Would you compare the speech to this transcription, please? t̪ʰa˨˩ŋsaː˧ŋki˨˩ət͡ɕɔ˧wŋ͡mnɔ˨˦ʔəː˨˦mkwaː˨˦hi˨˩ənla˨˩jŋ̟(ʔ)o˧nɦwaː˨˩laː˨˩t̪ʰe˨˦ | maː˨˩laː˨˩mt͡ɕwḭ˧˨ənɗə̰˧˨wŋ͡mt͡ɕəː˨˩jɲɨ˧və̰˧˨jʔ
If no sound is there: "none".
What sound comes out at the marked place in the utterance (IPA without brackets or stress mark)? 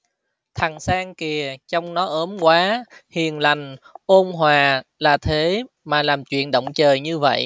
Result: ʔ